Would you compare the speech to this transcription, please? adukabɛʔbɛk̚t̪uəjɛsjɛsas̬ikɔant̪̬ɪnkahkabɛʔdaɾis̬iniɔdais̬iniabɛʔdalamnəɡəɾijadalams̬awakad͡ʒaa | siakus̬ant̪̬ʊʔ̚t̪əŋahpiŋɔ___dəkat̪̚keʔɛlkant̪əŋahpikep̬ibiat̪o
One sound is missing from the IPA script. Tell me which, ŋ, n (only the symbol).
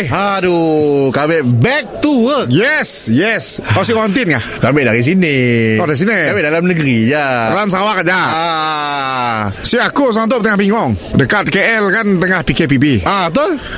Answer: ŋ